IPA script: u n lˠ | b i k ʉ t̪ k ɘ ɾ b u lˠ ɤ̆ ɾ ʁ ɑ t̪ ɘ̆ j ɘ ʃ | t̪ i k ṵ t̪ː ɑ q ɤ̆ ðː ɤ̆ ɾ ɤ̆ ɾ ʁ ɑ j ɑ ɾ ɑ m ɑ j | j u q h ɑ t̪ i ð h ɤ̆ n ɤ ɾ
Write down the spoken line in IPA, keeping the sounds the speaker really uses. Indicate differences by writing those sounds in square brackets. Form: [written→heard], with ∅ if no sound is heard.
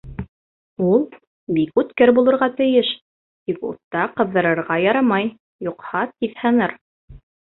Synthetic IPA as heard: u [n→∅] lˠ | b i k ʉ t̪ k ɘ ɾ b u lˠ ɤ̆ ɾ ʁ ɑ t̪ ɘ̆ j ɘ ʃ | t̪ i k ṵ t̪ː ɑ q ɤ̆ ðː ɤ̆ ɾ ɤ̆ ɾ ʁ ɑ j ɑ ɾ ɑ m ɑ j | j u q h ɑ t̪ i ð h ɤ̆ n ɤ ɾ